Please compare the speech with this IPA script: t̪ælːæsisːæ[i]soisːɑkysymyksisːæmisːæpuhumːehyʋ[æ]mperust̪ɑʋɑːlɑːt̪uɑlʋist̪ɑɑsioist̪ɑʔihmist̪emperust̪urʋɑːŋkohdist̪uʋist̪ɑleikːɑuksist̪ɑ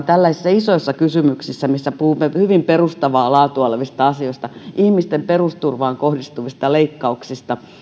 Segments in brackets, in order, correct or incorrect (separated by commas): correct, incorrect